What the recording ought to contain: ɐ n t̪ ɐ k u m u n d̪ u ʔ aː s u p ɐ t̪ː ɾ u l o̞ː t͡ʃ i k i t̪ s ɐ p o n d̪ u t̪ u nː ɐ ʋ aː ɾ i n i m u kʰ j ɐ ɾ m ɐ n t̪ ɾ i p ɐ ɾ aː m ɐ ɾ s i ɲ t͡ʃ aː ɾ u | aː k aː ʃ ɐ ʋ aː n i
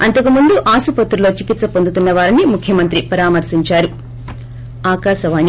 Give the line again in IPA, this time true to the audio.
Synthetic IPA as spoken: ɐ n t̪ ɐ k u m u n d̪ u ʔ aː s u p ɐ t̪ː ɾ u l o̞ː t͡ʃ i k i t̪ s ɐ p o n d̪ u t̪ u nː ɐ ʋ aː ɾ i n i m u kʰ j ɐ m ɐ n t̪ ɾ i p ɐ ɾ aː m ɐ ɾ s i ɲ t͡ʃ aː ɾ u | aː k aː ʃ ɐ ʋ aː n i